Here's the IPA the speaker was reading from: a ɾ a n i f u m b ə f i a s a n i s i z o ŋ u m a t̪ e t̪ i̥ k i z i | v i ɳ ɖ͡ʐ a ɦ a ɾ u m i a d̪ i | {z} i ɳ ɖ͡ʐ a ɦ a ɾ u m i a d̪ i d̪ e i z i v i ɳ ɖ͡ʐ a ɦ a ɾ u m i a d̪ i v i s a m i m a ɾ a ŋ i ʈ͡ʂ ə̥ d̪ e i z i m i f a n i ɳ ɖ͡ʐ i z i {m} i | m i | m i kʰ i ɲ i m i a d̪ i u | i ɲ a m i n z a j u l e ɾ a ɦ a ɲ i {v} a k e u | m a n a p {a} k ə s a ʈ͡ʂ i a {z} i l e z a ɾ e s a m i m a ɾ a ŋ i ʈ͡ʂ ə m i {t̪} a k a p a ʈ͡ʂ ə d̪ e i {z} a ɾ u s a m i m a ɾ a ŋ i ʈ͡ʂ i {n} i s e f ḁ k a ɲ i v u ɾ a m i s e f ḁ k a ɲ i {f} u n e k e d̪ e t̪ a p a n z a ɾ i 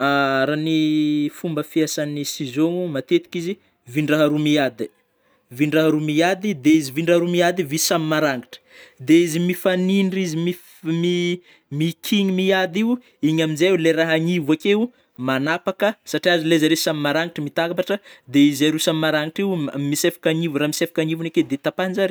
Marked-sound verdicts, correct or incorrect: incorrect: v, correct, correct, correct, correct, correct, correct, incorrect: m, incorrect: v

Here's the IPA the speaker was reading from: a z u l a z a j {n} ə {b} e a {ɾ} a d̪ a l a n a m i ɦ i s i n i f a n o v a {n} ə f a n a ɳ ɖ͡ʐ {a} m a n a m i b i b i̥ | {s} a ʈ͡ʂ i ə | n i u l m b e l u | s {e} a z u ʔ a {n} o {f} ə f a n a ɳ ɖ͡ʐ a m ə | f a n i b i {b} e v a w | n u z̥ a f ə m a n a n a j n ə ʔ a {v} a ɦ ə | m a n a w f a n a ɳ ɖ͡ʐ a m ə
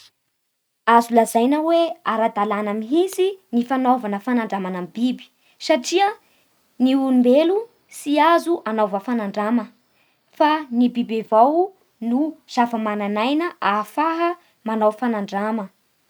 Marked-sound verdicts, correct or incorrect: correct, incorrect: w, correct, correct, correct, correct, incorrect: i, correct, incorrect: v, correct, incorrect: f

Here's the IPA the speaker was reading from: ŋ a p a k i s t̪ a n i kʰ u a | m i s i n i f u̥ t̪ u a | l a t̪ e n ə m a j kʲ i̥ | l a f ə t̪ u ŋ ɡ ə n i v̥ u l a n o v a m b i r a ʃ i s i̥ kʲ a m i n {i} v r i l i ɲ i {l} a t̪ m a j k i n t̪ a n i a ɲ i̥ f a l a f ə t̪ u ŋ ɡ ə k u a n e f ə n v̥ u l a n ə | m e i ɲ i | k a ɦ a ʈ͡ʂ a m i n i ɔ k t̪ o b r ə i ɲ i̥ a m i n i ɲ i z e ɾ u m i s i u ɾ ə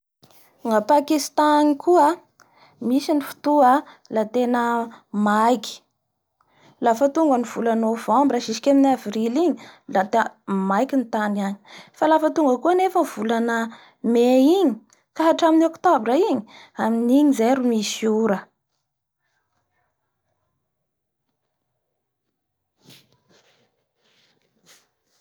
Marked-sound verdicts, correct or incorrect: incorrect: a, correct

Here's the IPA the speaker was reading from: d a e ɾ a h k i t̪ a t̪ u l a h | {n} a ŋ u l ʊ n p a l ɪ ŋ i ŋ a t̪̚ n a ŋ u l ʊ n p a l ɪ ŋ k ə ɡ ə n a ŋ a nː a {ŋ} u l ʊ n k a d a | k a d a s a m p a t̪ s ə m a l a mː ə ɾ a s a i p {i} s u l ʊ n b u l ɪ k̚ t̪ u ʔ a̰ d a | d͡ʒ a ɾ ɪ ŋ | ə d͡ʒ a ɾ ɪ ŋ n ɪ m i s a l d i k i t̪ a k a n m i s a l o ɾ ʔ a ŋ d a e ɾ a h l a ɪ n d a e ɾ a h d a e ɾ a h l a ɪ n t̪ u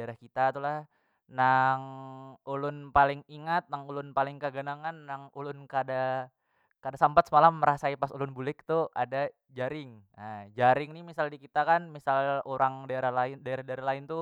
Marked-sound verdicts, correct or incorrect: correct, correct, incorrect: a

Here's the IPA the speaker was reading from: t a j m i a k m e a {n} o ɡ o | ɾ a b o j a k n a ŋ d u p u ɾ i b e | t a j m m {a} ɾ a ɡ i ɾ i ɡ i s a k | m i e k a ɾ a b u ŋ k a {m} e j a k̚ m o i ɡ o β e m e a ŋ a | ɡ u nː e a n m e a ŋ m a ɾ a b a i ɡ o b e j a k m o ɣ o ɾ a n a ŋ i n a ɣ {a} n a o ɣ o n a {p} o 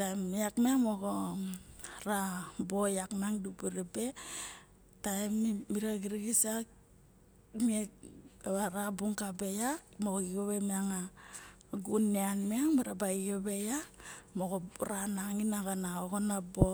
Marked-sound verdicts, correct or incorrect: incorrect: m, incorrect: i, incorrect: b, correct, incorrect: b

